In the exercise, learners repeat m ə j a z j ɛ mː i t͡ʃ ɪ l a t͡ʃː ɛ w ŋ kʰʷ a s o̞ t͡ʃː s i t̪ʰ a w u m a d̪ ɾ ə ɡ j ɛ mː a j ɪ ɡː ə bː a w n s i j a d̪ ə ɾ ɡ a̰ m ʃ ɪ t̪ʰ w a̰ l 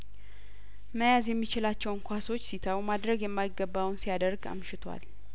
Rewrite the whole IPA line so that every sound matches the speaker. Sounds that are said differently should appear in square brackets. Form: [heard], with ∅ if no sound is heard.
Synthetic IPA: m ə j a z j ɛ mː i t͡ʃ ɪ l a t͡ʃː ɛ w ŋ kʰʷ a s o̞ t͡ʃː s i t̪ʰ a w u m a d̪ ɾ ə ɡ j ɛ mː a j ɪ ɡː ə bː a w n s i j a d̪ ə ɾ ɡ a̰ m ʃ ɪ t̪ʰ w a̰ l